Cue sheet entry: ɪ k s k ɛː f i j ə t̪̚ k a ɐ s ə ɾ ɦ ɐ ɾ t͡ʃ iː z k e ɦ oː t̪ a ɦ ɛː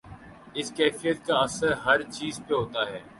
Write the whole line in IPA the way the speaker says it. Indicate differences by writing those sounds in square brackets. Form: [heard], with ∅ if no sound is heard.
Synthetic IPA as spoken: ɪ [∅] s k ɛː f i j ə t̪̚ k a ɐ s ə ɾ ɦ ɐ ɾ t͡ʃ iː z [p] e ɦ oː t̪ a ɦ ɛː